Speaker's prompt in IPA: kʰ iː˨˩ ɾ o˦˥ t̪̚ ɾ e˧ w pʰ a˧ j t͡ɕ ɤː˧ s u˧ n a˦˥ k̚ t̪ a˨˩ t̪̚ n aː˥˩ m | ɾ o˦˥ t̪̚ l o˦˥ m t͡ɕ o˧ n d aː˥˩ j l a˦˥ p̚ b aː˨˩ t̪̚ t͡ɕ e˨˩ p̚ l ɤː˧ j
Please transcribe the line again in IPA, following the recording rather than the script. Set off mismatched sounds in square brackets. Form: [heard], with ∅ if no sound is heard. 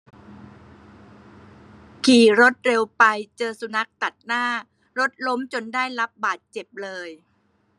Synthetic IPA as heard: kʰ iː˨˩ ɾ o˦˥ t̪̚ ɾ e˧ w [p] a˧ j t͡ɕ ɤː˧ s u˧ n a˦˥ k̚ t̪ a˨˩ t̪̚ n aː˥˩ [∅] | ɾ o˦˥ t̪̚ l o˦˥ m t͡ɕ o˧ n d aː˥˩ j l a˦˥ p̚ b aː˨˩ t̪̚ t͡ɕ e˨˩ p̚ l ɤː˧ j